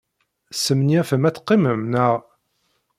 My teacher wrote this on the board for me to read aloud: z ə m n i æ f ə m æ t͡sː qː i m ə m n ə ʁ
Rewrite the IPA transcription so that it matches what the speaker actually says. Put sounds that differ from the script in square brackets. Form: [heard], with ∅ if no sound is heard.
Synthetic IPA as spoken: [s] ə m n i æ f ə m æ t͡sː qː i m ə m n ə ʁ